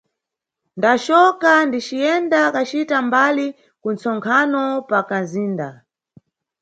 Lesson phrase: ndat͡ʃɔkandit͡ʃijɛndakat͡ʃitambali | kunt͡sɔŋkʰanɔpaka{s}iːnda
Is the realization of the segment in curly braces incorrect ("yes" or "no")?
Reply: yes